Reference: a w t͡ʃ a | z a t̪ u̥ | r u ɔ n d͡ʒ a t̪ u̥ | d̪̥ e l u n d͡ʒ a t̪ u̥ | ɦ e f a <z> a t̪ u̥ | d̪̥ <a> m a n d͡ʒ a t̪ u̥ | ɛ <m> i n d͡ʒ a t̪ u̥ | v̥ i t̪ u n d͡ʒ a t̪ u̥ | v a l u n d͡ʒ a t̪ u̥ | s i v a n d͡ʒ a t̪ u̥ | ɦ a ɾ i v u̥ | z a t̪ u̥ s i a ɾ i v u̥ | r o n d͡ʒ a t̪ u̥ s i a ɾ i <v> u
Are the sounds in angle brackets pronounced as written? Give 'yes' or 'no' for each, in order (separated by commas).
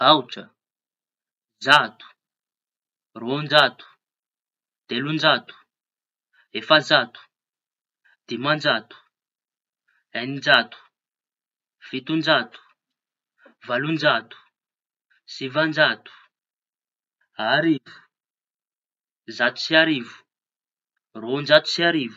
yes, no, no, yes